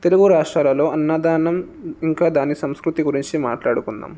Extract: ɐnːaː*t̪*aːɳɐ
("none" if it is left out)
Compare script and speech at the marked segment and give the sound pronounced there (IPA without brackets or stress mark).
d̪